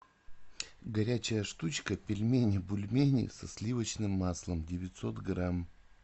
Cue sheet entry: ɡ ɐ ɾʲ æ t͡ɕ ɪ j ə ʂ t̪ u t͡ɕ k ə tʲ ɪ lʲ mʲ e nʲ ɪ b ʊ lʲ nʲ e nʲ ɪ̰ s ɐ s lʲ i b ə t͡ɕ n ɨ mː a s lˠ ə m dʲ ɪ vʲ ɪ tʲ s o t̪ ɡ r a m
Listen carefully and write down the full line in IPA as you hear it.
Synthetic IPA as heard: ɡ ɐ ɾʲ æ t͡ɕ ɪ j ə ʂ t̪ u t͡ɕ k ə pʲ ɪ lʲ mʲ e nʲ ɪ b ʊ lʲ mʲ e nʲ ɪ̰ s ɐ s lʲ i v ə t͡ɕ n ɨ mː a s lˠ ə m dʲ ɪ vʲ ɪ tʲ s o t̪ ɡ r a m